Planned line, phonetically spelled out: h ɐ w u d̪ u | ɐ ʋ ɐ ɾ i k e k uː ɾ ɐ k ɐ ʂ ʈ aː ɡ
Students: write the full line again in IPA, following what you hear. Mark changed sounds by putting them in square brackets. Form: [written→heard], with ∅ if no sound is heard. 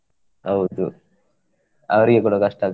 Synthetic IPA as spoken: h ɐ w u d̪ u | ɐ ʋ ɐ ɾ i [k→ɡ] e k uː [ɾ→ɽ] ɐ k ɐ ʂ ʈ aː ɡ